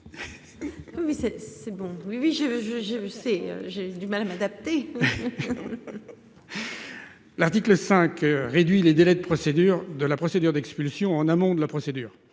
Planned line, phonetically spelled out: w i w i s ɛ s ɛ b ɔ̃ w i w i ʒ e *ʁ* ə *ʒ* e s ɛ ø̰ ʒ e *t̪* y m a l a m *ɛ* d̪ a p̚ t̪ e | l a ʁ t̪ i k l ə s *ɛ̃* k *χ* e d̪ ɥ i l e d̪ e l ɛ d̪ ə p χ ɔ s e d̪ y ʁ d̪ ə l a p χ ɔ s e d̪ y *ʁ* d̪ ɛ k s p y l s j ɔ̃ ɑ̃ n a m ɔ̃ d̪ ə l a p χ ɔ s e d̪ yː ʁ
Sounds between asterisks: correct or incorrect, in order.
incorrect: ʒ, correct, incorrect: d̪, incorrect: a, correct, incorrect: ʁ, correct

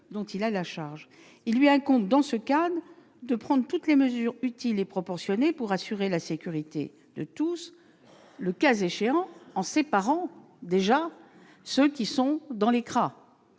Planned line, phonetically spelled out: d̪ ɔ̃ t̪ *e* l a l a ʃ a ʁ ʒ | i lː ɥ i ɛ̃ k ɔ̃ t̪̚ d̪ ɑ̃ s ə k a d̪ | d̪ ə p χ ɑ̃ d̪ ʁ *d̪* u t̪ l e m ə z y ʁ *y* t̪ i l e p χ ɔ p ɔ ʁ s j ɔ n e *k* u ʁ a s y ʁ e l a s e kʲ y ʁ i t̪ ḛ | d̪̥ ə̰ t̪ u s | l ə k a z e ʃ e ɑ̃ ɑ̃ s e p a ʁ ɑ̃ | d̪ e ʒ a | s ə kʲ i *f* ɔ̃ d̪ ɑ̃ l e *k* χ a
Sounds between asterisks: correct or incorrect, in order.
incorrect: i, incorrect: t̪, correct, incorrect: p, incorrect: s, correct

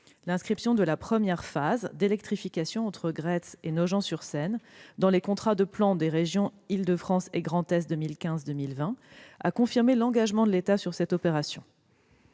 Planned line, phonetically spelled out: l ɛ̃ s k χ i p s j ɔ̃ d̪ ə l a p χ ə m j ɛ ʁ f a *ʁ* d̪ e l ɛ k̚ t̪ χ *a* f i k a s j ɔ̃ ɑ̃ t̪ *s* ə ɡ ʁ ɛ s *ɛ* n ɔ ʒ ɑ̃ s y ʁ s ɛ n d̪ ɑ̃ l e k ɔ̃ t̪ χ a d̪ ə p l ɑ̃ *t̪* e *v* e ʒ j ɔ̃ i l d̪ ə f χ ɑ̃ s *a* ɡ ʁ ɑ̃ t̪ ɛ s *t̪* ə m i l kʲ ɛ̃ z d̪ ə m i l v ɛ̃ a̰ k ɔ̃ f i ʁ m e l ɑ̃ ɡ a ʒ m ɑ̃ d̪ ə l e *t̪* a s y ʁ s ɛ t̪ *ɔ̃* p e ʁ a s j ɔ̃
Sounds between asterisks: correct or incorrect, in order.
incorrect: z, incorrect: i, incorrect: χ, incorrect: e, incorrect: d̪, incorrect: ʁ, incorrect: e, incorrect: d̪, correct, incorrect: ɔ

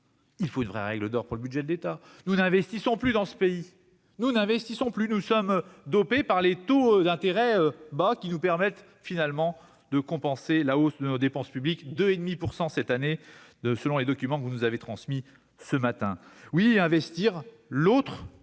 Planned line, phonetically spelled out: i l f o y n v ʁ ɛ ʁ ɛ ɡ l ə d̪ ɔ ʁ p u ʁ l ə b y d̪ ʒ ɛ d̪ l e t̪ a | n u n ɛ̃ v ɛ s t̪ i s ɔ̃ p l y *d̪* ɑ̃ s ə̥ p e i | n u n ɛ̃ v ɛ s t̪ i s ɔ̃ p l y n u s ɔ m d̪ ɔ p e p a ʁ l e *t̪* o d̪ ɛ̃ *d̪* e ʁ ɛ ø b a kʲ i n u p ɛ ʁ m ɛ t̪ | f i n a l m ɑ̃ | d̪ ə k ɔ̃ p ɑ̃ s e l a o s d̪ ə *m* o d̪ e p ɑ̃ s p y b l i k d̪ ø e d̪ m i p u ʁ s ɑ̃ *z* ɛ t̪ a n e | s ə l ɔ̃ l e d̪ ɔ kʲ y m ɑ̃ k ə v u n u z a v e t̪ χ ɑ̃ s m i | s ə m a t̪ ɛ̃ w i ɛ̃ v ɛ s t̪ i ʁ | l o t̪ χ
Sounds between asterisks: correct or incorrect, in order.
correct, correct, incorrect: t̪, incorrect: n, incorrect: s

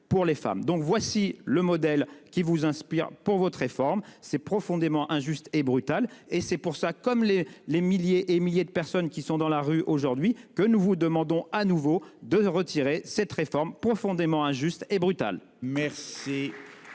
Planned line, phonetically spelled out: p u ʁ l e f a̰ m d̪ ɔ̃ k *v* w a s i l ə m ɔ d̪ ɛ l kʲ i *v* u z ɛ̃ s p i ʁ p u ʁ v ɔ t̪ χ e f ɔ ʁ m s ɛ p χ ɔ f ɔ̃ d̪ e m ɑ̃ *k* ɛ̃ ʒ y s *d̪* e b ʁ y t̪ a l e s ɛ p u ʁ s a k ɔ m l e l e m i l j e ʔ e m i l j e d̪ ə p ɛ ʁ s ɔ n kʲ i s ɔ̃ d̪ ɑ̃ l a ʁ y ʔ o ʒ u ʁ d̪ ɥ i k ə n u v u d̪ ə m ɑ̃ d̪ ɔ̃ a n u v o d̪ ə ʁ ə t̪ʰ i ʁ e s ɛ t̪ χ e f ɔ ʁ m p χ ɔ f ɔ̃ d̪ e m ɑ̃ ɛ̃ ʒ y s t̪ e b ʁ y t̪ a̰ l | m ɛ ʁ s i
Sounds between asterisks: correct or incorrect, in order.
correct, correct, incorrect: ʔ, incorrect: t̪

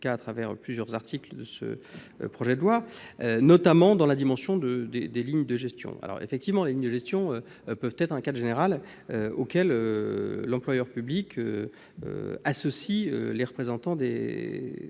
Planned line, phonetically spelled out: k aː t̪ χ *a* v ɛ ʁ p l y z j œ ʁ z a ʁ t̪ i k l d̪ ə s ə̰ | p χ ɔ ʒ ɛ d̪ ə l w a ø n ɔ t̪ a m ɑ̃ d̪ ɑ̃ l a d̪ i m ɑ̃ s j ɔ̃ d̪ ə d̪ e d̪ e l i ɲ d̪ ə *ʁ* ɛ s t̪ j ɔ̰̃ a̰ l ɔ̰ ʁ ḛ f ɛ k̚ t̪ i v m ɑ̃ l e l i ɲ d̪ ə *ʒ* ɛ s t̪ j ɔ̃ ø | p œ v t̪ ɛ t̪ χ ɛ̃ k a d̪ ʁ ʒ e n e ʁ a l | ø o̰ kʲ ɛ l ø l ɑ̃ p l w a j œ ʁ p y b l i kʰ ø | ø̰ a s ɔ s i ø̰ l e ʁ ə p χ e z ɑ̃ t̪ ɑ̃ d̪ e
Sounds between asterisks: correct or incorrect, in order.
correct, incorrect: ʒ, correct

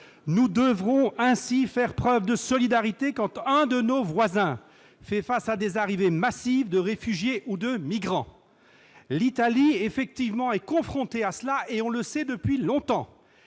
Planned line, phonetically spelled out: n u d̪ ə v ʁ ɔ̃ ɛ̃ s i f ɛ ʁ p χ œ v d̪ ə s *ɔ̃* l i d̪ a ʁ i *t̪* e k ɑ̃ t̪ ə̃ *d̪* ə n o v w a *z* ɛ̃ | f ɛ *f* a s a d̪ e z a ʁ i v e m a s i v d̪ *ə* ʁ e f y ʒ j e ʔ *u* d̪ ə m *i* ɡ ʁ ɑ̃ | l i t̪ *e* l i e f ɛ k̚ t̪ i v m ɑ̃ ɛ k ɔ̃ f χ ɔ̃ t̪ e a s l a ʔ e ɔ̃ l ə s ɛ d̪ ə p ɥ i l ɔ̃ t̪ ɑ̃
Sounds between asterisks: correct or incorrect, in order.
incorrect: ɔ, correct, correct, correct, correct, correct, correct, correct, incorrect: a

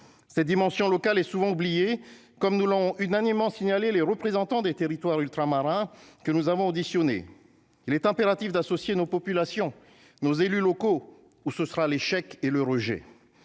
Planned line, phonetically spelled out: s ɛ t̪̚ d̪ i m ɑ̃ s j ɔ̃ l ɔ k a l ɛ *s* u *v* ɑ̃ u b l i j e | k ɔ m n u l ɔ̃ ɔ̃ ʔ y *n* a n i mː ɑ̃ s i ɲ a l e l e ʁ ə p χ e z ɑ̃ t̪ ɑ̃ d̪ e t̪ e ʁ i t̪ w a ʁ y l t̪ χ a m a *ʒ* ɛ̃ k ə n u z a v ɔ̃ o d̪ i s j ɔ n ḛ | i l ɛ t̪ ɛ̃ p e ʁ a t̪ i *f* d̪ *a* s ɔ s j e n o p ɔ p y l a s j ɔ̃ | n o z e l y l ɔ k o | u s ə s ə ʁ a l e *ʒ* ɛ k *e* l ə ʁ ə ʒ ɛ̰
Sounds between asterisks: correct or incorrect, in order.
correct, correct, correct, incorrect: ʁ, correct, correct, incorrect: ʃ, correct

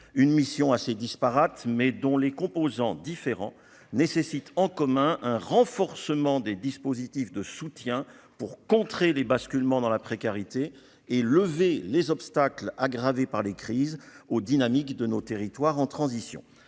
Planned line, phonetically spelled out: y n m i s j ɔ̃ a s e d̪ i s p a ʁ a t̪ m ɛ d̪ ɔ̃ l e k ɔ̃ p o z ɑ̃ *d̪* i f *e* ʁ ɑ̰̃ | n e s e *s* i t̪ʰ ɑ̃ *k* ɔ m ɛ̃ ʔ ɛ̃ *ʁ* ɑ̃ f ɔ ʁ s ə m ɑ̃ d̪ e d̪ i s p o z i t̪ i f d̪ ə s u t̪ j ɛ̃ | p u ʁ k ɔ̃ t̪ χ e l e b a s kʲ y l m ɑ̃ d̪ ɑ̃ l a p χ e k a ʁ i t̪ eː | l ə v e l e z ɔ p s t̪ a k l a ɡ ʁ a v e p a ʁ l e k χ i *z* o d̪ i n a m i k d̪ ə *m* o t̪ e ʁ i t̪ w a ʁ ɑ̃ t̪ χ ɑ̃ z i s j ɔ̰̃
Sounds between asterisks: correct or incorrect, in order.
correct, correct, correct, correct, correct, correct, incorrect: n

